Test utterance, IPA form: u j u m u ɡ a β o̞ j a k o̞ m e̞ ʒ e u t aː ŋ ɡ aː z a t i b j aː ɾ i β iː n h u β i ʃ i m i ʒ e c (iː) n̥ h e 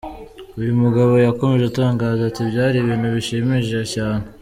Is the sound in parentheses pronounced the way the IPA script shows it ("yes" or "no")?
no